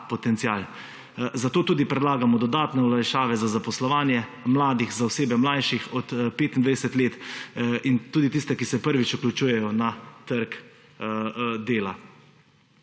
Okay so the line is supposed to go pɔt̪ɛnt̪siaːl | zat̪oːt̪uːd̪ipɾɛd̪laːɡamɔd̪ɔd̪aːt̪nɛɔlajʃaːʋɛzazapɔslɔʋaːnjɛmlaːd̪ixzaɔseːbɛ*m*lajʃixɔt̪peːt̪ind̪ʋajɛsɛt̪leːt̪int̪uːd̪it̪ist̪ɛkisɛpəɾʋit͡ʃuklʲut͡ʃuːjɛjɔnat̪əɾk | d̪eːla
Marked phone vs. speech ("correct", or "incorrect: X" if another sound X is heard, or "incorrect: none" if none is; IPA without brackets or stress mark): correct